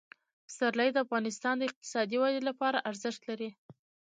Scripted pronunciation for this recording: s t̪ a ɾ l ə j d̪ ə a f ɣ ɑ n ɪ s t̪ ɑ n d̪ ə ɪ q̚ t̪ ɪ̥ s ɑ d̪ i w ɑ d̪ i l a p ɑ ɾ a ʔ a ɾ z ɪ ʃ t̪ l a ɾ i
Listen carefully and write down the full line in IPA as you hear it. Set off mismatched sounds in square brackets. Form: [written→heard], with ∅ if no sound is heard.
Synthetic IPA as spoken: s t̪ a ɾ l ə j d̪ ə a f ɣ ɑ n ɪ s t̪ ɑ n d̪ ə ɪ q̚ t̪ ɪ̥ s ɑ d̪ i w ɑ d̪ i l a p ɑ ɾ a ʔ a ɾ z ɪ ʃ t̪ l a ɾ i